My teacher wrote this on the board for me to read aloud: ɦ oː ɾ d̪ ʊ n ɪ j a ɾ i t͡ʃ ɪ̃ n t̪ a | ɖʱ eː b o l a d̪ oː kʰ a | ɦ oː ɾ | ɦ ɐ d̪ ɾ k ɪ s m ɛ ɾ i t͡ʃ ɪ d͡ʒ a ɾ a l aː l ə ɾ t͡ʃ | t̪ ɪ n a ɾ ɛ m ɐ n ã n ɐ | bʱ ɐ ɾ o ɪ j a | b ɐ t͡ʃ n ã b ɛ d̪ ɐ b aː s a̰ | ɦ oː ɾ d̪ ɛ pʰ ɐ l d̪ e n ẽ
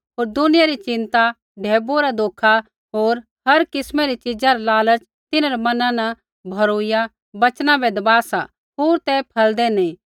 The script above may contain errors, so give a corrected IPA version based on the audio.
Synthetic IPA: ɦ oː ɾ d̪ ʊ n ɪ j a ɾ i t͡ʃ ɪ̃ n t̪ a | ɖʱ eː b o ɾ a d̪ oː kʰ a | ɦ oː ɾ | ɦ ɐ ɾ k ɪ s m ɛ ɾ i t͡ʃ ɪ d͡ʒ a ɾ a l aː l ə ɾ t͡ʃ | t̪ ɪ n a ɾ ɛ m ɐ n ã n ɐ | bʱ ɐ ɾ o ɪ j a | b ɐ t͡ʃ n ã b ɛ d̪ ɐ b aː s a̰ | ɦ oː ɾ t̪ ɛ pʰ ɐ l d̪ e n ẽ